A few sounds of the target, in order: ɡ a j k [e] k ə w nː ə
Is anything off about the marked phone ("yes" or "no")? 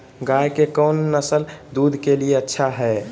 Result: no